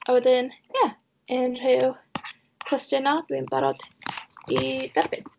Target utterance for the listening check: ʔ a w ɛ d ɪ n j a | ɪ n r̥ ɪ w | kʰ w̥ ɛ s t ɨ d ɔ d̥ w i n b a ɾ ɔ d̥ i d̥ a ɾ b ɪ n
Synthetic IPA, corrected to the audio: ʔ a w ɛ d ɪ n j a | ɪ n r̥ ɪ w | kʰ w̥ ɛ s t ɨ n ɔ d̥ w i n b a ɾ ɔ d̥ i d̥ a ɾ b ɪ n